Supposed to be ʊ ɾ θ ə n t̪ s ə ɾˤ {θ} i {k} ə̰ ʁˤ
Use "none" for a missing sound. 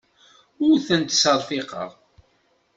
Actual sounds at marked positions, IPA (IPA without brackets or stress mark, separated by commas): f, q